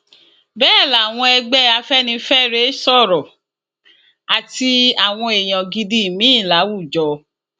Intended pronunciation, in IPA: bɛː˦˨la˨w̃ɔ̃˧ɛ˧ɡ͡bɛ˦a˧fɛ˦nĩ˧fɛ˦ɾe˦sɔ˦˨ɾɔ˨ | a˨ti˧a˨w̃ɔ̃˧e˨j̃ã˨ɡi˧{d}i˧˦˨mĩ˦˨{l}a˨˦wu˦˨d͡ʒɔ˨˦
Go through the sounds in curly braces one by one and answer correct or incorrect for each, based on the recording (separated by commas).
correct, correct